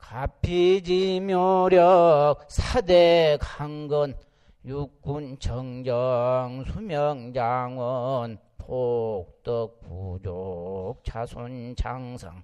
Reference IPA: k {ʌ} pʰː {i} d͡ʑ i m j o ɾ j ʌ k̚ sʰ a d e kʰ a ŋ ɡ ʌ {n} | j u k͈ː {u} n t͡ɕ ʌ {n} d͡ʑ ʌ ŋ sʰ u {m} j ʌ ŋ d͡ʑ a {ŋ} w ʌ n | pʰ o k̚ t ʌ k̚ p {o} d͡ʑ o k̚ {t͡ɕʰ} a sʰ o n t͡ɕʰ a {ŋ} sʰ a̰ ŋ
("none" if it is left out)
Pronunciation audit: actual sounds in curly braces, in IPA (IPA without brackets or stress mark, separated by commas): a, i, n, u, ŋ, m, ŋ, u, t͡ɕʰ, ŋ